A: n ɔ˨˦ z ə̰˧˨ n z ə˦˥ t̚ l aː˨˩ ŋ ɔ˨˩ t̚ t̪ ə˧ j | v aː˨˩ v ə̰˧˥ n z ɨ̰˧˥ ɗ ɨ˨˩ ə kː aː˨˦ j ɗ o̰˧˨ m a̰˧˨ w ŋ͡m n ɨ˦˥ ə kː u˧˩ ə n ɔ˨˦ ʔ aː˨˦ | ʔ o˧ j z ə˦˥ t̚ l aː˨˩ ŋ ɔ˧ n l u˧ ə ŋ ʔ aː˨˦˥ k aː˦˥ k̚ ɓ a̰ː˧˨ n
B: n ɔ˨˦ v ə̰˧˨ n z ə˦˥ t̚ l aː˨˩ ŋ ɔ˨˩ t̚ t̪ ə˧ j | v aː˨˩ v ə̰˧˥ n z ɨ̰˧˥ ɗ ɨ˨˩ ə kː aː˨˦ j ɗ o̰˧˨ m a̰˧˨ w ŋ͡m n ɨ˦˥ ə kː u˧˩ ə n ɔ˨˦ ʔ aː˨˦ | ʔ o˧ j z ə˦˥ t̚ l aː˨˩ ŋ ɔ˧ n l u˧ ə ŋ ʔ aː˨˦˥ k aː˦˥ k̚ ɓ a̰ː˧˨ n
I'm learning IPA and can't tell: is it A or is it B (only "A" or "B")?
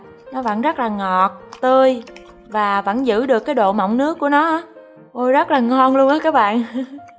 B